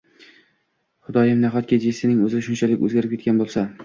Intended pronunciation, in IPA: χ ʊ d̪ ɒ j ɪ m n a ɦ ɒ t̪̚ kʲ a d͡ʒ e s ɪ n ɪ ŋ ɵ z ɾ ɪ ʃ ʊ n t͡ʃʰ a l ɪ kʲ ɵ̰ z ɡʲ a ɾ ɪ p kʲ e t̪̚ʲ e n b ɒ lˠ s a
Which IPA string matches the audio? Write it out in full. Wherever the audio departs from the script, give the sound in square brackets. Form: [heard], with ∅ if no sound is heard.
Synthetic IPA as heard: χ ʊ d̪ ɒ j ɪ m n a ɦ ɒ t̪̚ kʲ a d͡ʒ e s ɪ n ɪ ŋ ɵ z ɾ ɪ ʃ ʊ n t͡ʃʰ a l ɪ kʲ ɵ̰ z ɡʲ a ɾ ɪ p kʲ e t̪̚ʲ [a] n b [o] lˠ s a